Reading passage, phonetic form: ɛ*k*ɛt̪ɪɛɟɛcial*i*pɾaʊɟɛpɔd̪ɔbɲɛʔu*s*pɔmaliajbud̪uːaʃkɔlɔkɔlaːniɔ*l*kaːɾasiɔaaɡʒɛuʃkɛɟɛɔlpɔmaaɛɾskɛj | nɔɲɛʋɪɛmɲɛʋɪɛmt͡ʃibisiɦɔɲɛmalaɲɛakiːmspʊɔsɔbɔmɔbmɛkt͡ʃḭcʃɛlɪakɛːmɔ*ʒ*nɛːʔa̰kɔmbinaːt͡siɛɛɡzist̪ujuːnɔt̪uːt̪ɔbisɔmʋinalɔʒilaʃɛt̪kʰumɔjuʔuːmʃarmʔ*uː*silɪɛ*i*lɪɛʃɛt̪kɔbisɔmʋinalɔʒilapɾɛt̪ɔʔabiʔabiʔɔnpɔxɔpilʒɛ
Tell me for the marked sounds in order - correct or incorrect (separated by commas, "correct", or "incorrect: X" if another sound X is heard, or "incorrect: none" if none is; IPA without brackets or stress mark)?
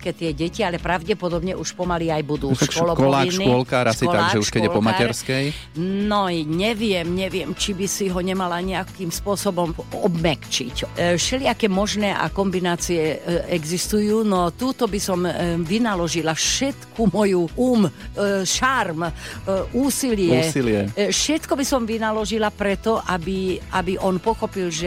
correct, incorrect: ɛ, incorrect: ʃ, correct, correct, correct, correct